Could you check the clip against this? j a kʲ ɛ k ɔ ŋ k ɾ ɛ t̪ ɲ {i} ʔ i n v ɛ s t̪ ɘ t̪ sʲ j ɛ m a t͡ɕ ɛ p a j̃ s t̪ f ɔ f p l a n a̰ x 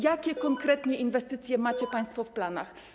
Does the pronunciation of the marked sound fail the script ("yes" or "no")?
yes